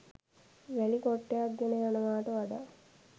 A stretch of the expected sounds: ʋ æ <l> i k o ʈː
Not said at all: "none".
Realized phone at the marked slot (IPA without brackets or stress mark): l